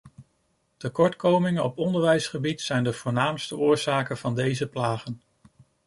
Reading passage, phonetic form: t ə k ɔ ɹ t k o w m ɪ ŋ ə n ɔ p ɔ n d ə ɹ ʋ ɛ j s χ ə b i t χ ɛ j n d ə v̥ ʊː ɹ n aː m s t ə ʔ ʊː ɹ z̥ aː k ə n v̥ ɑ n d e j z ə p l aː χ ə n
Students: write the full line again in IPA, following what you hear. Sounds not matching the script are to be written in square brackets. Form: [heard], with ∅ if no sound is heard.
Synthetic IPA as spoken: t ə k ɔ ɹ t k o w m ɪ ŋ ə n ɔ p ɔ n d ə ɹ ʋ ɛ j s χ ə b i t [s] ɛ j n d ə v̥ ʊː ɹ n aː m s t ə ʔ ʊː ɹ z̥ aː k ə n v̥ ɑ n d e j z ə p l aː χ ə n